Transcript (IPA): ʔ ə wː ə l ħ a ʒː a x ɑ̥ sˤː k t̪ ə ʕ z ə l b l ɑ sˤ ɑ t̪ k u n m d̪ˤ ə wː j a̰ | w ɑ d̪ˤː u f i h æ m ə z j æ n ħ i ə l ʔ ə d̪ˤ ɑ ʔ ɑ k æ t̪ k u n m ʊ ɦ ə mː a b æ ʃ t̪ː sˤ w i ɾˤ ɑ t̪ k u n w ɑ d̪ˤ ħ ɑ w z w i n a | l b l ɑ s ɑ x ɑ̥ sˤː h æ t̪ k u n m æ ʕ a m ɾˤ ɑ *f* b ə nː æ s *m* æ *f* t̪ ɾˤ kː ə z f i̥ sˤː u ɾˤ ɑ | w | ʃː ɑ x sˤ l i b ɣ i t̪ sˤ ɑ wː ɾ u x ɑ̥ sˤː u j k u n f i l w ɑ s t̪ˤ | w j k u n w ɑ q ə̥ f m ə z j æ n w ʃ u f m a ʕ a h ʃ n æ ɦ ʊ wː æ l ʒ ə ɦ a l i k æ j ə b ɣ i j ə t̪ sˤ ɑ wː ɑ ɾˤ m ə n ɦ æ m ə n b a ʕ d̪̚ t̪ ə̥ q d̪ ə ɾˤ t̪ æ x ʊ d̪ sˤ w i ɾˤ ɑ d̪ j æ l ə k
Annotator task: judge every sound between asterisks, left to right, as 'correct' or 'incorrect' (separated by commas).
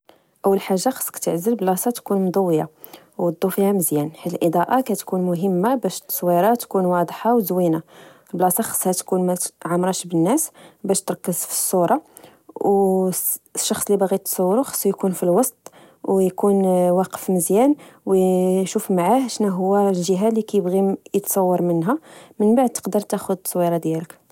incorrect, incorrect, incorrect